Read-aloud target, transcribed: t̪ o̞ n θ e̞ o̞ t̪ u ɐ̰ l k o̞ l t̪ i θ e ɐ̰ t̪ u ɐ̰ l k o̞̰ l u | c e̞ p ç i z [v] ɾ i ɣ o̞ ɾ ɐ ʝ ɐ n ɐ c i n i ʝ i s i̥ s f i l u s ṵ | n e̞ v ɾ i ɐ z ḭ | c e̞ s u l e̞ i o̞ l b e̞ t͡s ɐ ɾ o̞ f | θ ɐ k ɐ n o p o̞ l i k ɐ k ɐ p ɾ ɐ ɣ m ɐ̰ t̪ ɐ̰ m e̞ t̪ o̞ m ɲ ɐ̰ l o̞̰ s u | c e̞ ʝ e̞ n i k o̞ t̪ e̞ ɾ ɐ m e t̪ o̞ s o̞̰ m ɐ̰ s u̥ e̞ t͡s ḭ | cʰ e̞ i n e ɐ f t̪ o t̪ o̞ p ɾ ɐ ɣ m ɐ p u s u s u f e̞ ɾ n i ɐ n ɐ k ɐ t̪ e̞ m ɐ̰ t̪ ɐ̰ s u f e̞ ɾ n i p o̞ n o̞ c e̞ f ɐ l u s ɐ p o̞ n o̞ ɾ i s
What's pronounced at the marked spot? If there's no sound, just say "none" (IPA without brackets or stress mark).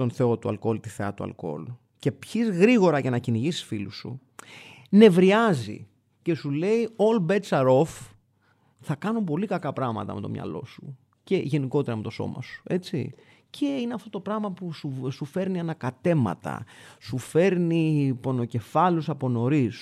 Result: ɣ